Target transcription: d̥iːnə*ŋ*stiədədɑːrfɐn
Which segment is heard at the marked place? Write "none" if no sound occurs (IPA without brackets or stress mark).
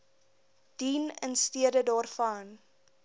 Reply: n